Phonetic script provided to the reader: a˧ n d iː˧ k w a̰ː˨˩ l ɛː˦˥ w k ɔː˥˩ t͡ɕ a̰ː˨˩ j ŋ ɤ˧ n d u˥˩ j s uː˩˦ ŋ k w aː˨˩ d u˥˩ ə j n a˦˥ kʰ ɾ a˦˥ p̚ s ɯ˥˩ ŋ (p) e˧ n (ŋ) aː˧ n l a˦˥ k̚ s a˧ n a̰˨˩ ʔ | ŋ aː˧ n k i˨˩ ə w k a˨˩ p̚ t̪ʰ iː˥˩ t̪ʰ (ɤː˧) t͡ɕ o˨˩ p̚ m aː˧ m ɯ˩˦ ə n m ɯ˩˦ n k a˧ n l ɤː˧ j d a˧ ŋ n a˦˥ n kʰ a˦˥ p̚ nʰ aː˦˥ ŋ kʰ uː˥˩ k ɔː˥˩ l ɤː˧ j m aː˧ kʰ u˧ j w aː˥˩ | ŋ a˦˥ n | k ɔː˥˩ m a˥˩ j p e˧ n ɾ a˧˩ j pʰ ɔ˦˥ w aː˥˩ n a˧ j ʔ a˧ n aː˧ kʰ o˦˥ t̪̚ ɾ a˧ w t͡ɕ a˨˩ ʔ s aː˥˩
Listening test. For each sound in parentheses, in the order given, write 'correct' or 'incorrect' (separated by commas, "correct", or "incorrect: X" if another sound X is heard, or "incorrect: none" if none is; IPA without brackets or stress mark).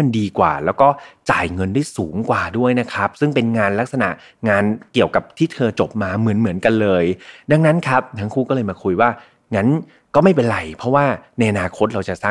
correct, correct, correct